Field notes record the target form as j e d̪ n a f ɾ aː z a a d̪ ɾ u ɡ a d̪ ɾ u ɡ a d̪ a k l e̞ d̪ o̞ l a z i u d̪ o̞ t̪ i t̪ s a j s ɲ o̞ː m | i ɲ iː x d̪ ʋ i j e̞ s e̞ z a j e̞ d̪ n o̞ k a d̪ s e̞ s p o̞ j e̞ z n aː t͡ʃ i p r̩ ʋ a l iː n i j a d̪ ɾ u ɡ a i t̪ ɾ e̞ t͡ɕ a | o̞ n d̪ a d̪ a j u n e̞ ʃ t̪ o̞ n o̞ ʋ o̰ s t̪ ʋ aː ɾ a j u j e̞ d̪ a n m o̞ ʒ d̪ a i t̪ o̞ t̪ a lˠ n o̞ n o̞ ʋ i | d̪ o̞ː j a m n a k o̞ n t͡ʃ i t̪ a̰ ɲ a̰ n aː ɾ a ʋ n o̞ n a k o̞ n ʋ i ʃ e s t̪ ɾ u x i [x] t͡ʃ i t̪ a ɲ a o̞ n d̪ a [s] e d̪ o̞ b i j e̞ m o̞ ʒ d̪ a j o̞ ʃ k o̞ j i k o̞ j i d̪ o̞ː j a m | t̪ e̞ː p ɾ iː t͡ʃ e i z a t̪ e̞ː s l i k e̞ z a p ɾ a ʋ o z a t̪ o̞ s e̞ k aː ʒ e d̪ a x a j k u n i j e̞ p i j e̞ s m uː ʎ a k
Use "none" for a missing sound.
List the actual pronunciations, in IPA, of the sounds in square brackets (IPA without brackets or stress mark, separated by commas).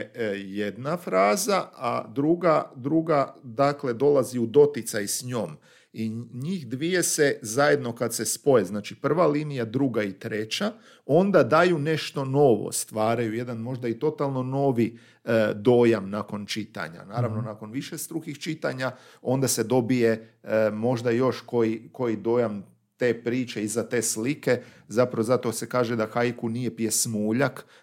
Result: x, s